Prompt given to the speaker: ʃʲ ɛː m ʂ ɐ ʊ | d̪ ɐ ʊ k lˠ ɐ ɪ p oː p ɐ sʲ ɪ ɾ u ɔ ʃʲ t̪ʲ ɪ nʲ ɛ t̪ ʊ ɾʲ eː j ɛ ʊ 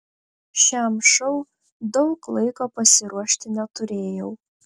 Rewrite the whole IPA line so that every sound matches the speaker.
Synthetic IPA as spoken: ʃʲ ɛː m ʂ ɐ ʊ | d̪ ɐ ʊ k lˠ ɐ ɪ k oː p ɐ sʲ ɪ ɾ u ɔ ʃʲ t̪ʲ ɪ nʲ ɛ t̪ ʊ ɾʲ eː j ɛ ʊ